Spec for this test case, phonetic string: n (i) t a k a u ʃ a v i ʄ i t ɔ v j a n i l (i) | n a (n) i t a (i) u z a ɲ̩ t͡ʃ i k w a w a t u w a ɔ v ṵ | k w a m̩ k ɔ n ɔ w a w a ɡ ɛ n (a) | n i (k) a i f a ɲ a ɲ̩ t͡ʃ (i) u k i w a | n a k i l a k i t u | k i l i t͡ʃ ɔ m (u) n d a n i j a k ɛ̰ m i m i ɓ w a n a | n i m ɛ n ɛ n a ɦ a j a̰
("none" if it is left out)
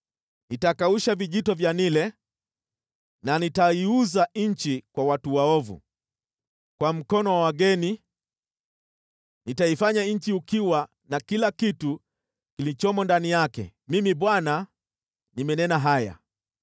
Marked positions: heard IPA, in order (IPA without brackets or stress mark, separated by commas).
i, ɛ, n, i, i, t, i, ɔ